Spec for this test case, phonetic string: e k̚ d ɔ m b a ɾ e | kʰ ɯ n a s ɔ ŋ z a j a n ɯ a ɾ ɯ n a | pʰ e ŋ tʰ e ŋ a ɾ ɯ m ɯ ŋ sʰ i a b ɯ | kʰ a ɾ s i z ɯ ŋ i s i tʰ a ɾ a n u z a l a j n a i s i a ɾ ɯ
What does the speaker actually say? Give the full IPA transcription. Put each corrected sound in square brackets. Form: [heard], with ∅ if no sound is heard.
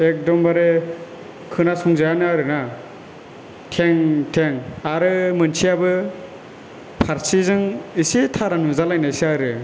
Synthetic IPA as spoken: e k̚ d ɔ m b a ɾ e | kʰ ɯ n a s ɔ ŋ z a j a n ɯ a ɾ ɯ n a | [tʰ] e ŋ tʰ e ŋ a ɾ ɯ m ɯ [n] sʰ i a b ɯ | [pʰ] a ɾ s i z ɯ ŋ i s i tʰ a ɾ a n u z a l a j n a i s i a ɾ ɯ